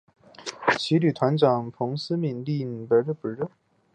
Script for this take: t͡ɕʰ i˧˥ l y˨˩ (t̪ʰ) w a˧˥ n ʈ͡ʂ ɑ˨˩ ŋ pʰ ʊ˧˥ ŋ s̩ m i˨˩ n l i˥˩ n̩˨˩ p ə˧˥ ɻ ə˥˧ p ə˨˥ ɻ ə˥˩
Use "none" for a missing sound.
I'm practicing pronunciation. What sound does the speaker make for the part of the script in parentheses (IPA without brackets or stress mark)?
t̪ʰ